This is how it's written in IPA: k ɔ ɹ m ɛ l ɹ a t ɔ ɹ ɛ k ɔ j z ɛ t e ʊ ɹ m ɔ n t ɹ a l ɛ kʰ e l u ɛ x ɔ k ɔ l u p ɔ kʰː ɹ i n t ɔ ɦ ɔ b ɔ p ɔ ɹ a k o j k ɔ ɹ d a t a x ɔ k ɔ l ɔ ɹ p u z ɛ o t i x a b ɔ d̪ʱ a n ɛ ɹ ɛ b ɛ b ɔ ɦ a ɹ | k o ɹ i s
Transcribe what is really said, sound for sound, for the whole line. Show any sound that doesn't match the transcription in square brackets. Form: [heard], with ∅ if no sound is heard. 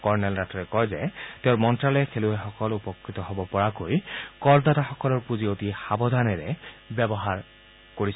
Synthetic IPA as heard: k ɔ ɹ [n] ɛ l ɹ a t ɔ ɹ ɛ k ɔ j z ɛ t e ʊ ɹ m ɔ n t ɹ a l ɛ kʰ e l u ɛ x ɔ k ɔ l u p ɔ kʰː ɹ i [∅] t ɔ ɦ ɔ b ɔ p ɔ ɹ a k o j k ɔ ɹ d a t a x ɔ k ɔ l ɔ ɹ p u z [i] o t i x a b ɔ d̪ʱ a n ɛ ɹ ɛ b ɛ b ɔ ɦ a ɹ | k o ɹ i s